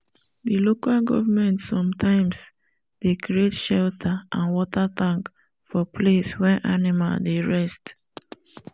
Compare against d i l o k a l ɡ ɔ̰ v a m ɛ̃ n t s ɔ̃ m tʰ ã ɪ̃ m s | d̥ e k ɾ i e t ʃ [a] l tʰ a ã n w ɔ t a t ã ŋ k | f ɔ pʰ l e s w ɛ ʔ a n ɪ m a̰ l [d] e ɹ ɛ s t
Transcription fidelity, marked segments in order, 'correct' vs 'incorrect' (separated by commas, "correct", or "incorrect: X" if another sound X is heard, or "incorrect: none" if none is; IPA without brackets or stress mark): incorrect: ɛ, correct